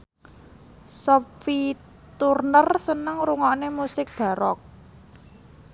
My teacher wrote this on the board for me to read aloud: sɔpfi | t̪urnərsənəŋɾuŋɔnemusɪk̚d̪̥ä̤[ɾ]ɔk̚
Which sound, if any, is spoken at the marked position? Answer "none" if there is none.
ɾ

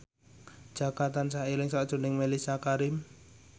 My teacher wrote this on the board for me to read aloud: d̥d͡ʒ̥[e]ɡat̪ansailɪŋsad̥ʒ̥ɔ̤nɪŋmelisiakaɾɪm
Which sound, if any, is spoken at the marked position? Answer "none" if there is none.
a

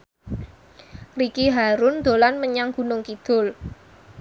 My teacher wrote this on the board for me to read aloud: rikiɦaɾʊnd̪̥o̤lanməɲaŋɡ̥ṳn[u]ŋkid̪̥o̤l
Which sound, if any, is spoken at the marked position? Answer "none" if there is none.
ʊ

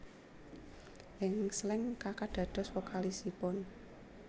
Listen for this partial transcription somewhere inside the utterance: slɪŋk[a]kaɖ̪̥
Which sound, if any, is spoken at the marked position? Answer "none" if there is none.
a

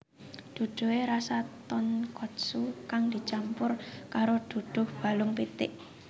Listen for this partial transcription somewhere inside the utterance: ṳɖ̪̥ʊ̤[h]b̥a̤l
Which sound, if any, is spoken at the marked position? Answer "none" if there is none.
h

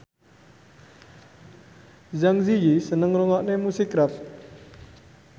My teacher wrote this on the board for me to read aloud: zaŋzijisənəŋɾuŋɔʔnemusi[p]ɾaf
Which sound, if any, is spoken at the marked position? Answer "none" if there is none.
k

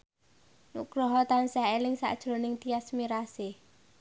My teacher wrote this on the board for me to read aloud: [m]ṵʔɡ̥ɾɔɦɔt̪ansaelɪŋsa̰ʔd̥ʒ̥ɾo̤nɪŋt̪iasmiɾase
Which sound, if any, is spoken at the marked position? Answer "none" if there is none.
n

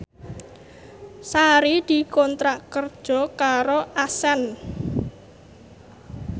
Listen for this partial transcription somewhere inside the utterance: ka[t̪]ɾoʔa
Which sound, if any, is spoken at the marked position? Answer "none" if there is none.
none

